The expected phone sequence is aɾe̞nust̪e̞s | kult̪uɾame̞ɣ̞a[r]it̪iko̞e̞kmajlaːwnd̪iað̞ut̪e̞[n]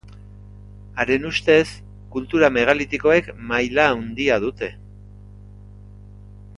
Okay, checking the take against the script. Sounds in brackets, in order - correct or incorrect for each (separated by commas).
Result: incorrect, incorrect